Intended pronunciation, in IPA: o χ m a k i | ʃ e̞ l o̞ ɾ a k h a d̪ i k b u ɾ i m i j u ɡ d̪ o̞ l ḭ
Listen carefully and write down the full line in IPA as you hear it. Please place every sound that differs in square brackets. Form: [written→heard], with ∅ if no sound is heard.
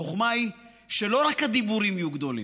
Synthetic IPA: o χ m a [k→∅] i | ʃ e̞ l o̞ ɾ a k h a d̪ i [k→∅] b u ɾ i m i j u ɡ d̪ o̞ l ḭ